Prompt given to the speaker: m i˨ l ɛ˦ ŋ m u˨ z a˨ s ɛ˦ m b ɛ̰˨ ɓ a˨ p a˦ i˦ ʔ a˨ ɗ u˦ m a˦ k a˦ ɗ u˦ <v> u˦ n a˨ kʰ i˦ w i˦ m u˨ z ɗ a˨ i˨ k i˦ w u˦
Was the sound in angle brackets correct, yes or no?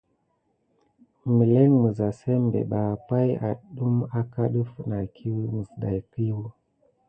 no